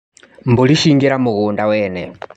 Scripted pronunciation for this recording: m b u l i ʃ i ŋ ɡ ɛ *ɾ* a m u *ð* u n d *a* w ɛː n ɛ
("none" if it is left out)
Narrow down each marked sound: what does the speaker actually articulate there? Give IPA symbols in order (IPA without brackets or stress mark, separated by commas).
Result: ɾ, ɣ, a